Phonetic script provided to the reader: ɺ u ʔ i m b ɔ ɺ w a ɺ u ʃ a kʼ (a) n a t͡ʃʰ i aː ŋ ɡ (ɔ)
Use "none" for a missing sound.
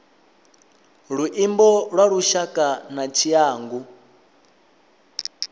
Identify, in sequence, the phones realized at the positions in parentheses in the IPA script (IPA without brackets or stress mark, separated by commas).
a, u